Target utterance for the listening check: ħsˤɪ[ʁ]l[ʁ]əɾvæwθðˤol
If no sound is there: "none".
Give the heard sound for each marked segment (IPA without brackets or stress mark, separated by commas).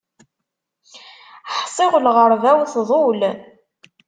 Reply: ʁ, ʁ